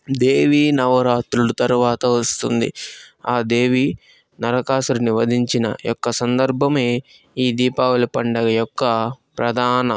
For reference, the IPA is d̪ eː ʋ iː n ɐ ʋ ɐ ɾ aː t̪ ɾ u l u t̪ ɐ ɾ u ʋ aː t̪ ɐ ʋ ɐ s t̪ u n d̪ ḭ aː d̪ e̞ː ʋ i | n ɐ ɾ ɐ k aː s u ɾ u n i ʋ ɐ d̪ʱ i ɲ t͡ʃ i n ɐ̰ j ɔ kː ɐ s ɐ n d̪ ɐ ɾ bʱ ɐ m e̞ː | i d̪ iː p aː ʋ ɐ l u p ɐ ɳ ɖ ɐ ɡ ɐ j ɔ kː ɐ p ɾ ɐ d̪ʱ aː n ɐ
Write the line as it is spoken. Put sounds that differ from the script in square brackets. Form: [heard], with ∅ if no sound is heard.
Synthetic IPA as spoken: d̪ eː ʋ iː n ɐ ʋ ɐ ɾ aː t̪ ɾ u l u t̪ ɐ ɾ u ʋ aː t̪ ɐ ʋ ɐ s t̪ u n d̪ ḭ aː d̪ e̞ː ʋ i | n ɐ ɾ ɐ k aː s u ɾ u n i ʋ ɐ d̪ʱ i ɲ t͡ʃ i n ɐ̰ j ɔ kː ɐ s ɐ n d̪ ɐ ɾ bʱ ɐ m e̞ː | [iː] d̪ iː p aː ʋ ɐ l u p ɐ ɳ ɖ ɐ ɡ ɐ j ɔ kː ɐ p ɾ ɐ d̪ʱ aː n ɐ